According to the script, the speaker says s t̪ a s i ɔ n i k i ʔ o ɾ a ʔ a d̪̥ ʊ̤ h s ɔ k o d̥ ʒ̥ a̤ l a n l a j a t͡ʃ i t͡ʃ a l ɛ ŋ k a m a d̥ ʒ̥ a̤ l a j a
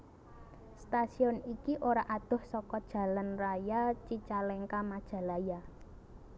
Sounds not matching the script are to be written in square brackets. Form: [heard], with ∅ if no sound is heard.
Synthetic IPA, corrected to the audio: s t̪ a s i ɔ n i k i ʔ o ɾ a ʔ a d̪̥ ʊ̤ h s ɔ k [ɔ] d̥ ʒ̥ a̤ l a n [r] a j a t͡ʃ i t͡ʃ a l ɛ ŋ k a m a d̥ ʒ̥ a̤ l a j a